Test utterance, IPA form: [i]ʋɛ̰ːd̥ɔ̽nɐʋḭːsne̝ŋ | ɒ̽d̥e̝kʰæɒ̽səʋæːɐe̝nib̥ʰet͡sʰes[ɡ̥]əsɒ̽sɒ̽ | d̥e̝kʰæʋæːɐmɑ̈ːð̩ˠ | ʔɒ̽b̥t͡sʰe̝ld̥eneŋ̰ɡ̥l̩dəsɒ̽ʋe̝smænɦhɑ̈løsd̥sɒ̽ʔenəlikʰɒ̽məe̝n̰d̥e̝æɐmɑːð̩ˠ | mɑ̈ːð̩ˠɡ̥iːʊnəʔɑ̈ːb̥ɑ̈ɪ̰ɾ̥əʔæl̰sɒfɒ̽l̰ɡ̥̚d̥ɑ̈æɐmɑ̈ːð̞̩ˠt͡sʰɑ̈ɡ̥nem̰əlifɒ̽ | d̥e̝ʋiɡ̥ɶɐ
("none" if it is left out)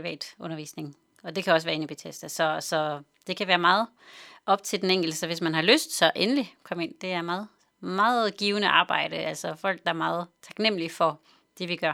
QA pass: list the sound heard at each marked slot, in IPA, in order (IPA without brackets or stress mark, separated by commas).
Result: i, d̥